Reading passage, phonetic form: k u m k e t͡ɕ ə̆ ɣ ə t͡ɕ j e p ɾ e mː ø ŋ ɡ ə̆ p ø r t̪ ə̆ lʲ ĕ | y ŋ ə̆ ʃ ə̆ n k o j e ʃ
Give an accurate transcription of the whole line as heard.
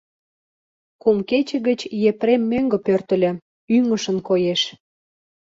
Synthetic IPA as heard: k u m k e t͡ɕ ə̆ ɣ ə t͡ɕ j e p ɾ e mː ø ŋ ɡ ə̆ p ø r t̪ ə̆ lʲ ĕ | y ŋ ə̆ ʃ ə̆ n k o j e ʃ